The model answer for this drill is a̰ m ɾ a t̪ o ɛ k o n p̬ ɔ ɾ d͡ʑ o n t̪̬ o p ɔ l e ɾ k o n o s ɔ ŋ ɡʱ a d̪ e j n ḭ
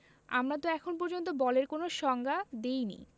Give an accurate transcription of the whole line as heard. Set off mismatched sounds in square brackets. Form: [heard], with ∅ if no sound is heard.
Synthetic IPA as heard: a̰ m ɾ a t̪ o ɛ [kʰ] o n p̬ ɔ ɾ d͡ʑ o n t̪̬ o [b] ɔ l e ɾ k o n o [ʃ] ɔ ŋ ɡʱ a d̪ e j n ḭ